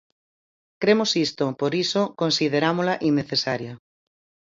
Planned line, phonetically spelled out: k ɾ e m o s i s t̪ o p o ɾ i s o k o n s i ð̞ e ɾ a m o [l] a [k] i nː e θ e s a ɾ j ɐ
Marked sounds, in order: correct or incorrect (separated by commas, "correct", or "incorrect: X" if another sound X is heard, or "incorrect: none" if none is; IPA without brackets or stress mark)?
correct, incorrect: ʔ